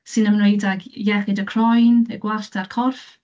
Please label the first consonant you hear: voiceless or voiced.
voiceless